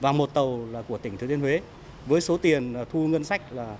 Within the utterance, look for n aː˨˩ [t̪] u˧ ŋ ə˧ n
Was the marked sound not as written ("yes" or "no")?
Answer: yes